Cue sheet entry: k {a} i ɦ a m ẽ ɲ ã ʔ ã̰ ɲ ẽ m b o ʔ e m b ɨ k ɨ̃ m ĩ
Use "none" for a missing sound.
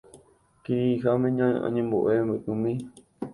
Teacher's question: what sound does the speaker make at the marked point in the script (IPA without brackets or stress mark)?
i